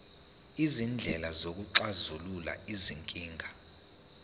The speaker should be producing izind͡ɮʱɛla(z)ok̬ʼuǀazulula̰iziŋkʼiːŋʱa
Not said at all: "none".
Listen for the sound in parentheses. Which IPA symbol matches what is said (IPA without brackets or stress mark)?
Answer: z